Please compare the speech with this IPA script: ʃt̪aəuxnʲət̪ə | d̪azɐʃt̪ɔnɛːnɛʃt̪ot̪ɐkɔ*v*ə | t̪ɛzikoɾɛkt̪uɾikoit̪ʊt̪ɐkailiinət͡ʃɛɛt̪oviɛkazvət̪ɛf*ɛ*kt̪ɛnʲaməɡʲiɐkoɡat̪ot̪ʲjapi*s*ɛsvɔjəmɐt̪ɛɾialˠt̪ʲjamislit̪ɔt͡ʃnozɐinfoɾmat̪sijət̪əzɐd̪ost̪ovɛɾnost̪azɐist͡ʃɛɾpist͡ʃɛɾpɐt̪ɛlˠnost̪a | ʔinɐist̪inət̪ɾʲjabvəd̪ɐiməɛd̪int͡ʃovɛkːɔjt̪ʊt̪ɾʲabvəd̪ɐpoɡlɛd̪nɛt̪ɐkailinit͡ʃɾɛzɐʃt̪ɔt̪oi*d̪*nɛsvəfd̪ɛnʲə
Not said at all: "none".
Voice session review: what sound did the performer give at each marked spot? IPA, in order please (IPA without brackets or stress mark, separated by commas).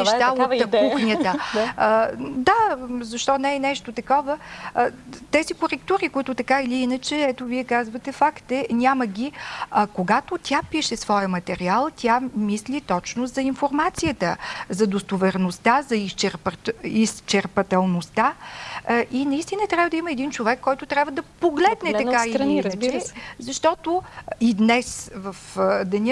v, a, ʃ, d̪